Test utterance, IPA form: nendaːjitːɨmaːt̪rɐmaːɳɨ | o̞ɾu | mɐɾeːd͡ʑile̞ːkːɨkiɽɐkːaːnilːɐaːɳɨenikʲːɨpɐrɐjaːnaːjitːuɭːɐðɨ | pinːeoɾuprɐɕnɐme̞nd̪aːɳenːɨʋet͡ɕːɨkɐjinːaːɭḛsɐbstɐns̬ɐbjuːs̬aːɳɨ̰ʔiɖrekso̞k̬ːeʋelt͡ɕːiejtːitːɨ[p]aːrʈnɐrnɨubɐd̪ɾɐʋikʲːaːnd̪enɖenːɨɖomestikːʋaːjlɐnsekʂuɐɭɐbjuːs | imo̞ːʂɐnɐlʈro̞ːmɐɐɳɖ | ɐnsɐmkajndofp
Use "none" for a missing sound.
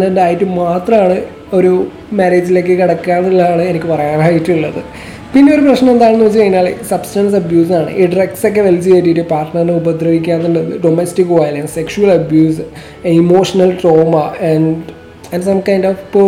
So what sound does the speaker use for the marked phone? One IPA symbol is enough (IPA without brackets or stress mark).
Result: p